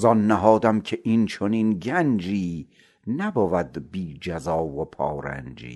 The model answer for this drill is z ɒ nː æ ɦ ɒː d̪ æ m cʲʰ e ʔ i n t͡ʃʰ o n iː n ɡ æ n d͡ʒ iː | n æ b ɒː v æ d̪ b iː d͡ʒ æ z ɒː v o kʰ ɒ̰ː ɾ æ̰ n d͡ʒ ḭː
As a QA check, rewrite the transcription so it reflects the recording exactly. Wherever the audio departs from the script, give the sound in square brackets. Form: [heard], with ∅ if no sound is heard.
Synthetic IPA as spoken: z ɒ nː æ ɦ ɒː d̪ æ m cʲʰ e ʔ i n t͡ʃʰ o n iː n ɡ æ n d͡ʒ iː | n æ b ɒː v æ d̪ b iː d͡ʒ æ z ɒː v o [pʰ] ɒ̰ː ɾ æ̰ n d͡ʒ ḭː